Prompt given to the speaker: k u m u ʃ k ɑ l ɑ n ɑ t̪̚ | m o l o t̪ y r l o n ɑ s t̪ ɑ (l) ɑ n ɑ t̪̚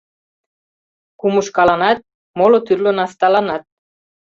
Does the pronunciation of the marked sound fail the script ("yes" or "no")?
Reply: no